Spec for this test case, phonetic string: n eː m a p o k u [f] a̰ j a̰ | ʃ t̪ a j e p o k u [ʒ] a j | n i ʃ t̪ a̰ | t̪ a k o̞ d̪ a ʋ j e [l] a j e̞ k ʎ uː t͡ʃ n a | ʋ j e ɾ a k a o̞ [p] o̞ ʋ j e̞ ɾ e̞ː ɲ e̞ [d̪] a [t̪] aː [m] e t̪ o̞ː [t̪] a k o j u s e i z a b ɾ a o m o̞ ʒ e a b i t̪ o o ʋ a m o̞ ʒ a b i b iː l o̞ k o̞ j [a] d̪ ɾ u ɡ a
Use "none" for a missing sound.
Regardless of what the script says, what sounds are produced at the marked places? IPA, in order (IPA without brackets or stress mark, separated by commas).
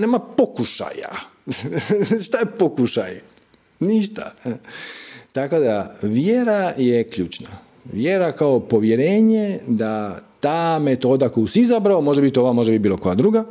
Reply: ʃ, ʃ, ɾ, p, d̪, t̪, m, d̪, a